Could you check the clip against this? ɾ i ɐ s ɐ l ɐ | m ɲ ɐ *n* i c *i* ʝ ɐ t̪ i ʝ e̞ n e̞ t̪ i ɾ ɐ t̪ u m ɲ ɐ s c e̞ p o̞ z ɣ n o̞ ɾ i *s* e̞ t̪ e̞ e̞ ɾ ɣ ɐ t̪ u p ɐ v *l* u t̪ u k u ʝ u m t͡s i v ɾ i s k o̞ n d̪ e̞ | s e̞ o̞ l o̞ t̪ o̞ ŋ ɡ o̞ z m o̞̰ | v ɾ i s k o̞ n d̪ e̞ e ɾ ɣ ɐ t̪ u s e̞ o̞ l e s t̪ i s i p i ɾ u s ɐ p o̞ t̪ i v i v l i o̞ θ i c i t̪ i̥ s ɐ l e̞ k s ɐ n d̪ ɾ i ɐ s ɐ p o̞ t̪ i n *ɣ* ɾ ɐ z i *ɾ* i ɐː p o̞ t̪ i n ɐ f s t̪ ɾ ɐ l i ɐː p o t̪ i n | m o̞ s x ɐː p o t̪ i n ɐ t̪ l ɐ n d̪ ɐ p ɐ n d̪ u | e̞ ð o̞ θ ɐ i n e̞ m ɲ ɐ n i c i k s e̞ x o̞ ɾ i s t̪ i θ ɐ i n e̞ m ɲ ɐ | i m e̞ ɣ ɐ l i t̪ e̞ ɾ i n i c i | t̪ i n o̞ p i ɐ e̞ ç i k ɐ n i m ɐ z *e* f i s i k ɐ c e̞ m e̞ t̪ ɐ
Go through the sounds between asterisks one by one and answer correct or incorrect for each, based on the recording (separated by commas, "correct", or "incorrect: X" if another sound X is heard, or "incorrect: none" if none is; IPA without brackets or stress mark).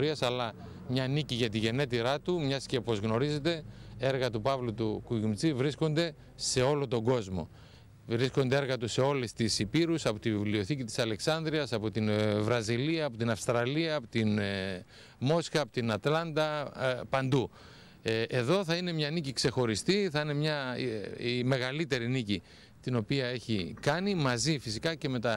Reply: correct, correct, incorrect: z, correct, incorrect: v, incorrect: l, incorrect: i